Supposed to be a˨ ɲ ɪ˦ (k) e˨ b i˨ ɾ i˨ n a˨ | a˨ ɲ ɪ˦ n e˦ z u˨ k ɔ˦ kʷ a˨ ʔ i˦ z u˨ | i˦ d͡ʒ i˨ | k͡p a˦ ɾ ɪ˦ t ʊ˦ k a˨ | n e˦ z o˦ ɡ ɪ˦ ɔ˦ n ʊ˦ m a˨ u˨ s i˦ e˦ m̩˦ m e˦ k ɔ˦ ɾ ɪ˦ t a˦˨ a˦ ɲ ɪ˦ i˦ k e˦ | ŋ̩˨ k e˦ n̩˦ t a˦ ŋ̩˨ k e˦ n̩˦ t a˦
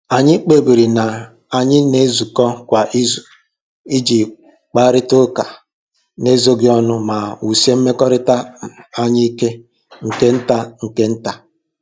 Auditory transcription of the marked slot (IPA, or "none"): k͡p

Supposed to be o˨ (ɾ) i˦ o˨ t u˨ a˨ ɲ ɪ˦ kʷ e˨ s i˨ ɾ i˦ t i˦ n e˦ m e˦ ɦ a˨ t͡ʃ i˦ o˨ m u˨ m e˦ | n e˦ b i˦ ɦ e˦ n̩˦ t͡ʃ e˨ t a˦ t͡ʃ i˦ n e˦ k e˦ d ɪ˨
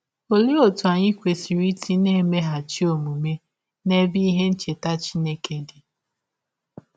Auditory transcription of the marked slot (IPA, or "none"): l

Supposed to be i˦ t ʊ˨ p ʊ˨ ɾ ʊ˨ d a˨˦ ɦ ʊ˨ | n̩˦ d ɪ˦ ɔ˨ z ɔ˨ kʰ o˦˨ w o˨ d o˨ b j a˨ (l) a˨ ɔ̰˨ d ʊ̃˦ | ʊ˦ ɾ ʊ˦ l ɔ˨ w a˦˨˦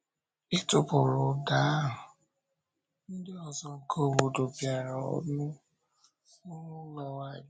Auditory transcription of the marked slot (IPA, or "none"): ɾ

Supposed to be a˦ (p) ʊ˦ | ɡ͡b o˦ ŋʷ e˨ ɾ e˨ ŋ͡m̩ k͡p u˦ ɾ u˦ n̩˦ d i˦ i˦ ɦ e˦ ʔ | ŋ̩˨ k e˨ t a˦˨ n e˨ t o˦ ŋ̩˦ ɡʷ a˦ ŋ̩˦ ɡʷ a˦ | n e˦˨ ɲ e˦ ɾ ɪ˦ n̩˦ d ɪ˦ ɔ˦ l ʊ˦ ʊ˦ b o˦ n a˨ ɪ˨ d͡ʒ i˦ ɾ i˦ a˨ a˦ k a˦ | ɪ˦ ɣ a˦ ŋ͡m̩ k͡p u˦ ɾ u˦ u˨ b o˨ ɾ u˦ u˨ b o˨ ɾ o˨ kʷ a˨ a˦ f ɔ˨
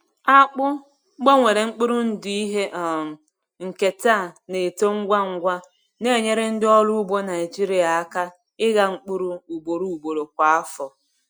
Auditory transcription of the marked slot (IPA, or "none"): k͡p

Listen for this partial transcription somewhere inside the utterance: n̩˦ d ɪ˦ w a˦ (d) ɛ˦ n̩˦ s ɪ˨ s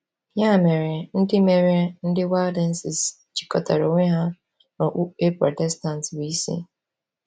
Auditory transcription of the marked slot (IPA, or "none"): d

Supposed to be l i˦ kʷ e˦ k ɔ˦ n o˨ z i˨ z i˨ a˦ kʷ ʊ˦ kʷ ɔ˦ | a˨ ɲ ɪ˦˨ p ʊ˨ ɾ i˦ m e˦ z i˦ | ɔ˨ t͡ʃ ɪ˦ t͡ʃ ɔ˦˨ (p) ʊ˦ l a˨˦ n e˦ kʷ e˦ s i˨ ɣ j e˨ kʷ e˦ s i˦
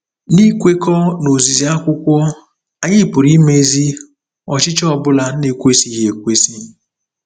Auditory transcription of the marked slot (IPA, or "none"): b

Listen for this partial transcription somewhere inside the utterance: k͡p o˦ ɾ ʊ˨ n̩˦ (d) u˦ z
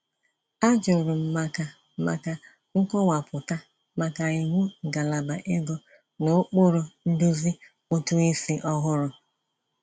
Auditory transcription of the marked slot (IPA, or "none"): d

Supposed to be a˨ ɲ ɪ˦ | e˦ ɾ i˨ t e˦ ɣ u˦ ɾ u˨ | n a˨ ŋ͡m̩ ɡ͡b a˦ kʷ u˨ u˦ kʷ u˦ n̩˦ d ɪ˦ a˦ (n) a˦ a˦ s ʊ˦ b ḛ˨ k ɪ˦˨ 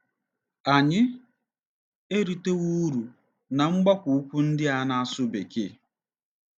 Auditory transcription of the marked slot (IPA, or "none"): n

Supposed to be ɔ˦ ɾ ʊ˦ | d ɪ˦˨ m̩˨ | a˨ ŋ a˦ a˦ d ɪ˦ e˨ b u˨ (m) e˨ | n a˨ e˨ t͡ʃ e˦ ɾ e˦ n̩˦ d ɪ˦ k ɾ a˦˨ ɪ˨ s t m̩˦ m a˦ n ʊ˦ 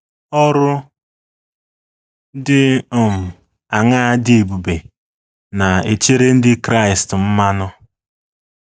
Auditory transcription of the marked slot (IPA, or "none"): b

